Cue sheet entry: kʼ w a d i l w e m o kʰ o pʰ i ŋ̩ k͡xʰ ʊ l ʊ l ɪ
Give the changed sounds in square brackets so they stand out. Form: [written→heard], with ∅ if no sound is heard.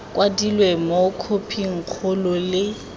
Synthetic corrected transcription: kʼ w a d i l w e m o kʰ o pʰ i ŋ̩ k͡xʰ ʊ l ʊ l ɪ

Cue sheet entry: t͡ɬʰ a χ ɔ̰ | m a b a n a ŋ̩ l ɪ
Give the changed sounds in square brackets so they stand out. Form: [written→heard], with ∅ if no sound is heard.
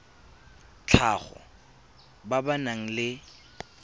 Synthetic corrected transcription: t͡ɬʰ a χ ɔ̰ | [m→b] a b a n a ŋ̩ l ɪ

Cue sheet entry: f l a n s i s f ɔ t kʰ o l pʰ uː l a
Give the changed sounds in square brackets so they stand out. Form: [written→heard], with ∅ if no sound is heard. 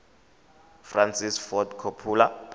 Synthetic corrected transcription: f [l→r] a n s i s f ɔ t kʰ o [l→∅] pʰ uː l a

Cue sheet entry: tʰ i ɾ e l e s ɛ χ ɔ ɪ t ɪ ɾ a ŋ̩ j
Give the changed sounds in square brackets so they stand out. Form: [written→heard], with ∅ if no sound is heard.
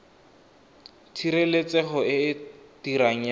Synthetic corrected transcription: tʰ i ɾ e l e [s→t͡s] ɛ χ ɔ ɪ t [ɪ→i] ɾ a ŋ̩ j

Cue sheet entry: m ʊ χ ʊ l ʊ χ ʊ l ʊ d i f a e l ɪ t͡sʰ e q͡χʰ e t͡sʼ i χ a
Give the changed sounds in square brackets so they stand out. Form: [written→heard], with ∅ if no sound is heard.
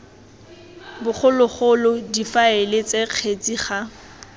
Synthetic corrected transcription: [m→b] ʊ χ ʊ l ʊ χ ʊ l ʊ d i f a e l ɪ [t͡sʰ→t͡s] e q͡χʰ e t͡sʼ i χ a

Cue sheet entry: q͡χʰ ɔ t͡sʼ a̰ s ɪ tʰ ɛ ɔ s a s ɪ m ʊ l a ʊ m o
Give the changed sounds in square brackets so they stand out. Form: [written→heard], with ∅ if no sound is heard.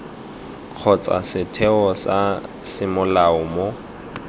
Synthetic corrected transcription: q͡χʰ ɔ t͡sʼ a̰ s ɪ tʰ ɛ ɔ s a s ɪ m ʊ l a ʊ m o

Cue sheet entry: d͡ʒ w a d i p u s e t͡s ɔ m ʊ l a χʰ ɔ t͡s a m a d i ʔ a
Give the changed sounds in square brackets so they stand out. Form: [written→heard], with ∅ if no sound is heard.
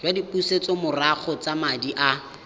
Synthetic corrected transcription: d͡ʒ w a d i p u s e t͡s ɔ m ʊ [l→r] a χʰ ɔ t͡s a m a d i ʔ a

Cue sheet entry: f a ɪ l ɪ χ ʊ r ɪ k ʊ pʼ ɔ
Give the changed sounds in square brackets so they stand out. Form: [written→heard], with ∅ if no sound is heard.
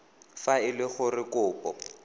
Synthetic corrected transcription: f a ɪ l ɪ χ ʊ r ɪ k [ʊ→ʊː] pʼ ɔ

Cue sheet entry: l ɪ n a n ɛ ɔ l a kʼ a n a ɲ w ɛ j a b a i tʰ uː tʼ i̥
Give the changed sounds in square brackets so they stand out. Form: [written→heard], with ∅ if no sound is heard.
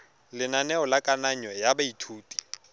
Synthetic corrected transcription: l ɪ n a n ɛ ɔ l a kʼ a n a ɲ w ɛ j a b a i tʰ uː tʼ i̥

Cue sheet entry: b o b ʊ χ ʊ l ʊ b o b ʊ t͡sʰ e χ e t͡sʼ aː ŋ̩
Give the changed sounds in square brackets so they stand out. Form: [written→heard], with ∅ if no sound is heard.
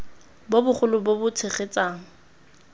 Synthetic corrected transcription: b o b ʊ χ ʊ l ʊ b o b ʊ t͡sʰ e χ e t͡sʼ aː ŋ̩

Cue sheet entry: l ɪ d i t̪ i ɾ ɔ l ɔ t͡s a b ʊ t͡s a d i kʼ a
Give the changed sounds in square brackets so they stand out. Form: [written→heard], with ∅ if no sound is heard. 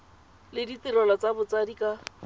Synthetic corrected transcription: l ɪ d i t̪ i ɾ ɔ l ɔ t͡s a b ʊ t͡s a d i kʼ a

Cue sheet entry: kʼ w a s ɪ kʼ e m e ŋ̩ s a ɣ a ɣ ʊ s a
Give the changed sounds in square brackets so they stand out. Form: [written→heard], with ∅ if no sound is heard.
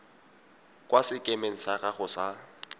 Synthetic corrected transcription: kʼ w a s ɪ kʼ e m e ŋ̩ s a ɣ a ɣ ʊ s a

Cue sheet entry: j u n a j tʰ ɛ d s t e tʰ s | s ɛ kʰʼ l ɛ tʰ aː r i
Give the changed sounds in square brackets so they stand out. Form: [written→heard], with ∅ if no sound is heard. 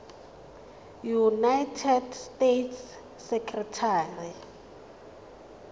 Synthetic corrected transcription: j u n a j tʰ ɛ d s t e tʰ s | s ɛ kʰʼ [l→r] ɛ tʰ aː r i

